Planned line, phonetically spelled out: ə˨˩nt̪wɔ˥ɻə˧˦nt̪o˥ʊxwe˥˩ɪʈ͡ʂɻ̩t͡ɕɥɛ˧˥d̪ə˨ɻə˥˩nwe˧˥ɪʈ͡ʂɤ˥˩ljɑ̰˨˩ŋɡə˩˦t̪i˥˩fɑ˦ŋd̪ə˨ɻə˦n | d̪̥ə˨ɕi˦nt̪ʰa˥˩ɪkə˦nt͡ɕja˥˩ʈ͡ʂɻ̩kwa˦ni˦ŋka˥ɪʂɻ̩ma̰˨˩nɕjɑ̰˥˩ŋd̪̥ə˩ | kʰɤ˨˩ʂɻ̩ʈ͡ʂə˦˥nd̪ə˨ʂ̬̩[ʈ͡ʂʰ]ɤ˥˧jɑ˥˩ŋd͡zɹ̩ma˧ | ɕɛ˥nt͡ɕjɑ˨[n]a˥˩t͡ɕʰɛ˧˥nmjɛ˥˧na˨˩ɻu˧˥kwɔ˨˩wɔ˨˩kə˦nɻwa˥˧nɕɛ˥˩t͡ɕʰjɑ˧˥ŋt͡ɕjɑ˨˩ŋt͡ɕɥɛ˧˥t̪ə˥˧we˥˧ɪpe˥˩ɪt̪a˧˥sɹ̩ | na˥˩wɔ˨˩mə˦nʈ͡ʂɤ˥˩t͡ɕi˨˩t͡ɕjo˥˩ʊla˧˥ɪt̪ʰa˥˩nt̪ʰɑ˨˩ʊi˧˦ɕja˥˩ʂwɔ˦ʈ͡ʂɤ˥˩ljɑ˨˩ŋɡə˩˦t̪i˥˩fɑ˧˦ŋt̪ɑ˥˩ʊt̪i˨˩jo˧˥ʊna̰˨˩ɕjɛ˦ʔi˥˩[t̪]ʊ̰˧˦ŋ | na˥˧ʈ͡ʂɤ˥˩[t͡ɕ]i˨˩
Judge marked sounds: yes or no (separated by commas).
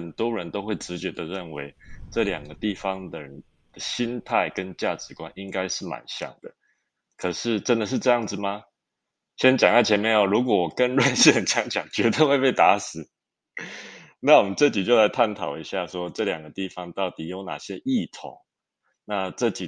no, no, no, yes